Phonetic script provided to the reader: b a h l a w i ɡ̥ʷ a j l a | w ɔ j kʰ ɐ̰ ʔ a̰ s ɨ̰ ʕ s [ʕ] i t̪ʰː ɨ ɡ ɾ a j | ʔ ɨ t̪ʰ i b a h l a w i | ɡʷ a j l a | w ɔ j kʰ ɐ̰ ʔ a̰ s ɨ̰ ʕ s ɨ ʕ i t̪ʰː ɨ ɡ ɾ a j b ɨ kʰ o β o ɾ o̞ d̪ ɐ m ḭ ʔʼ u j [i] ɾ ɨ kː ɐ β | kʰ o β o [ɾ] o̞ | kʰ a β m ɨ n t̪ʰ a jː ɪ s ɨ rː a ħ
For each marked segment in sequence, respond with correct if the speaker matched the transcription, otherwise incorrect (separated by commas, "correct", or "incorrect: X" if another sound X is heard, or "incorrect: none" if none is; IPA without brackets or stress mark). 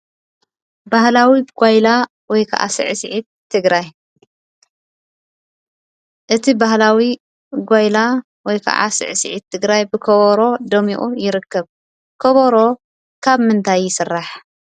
correct, incorrect: ɪ, correct